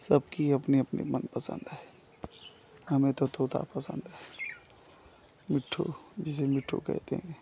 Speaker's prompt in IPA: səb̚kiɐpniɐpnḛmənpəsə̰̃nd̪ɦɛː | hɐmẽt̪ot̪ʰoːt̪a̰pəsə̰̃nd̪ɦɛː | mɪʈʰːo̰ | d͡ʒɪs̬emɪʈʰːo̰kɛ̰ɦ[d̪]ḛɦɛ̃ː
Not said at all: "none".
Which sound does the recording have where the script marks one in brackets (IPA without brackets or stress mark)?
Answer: t̪